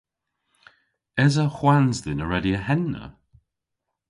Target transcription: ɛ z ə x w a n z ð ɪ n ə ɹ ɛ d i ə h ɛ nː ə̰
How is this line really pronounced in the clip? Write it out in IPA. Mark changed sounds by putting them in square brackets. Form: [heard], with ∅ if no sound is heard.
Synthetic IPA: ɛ z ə x w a n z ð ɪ n ə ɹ ɛ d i ə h ɛ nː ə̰